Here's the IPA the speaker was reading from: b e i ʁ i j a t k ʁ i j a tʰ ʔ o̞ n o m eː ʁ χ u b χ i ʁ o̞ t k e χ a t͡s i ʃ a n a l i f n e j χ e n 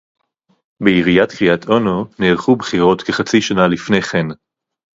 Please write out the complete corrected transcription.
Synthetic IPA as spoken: b e i ʁ i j a t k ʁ i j a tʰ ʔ o̞ n o n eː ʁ χ u b χ i ʁ o̞ t k e χ a t͡s i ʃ a n a l i f n e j χ e n

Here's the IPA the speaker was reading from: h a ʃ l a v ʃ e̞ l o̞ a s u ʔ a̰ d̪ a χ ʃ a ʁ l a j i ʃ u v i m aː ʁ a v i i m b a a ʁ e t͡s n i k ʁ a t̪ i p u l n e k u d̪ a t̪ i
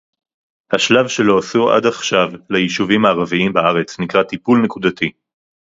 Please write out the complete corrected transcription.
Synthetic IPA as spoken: h a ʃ l a v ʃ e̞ l o̞ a s u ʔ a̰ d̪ a χ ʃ a v l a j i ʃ u v i m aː ʁ a v i i m b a a ʁ e t͡s n i k ʁ a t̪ i p u l n e k u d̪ a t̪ i

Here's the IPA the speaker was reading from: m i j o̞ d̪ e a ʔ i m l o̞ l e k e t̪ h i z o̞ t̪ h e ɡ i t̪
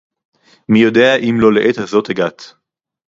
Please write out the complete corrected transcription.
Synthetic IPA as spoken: m i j o̞ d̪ e a ʔ i m l o̞ l e ʔ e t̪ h a z o̞ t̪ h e ɡ a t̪

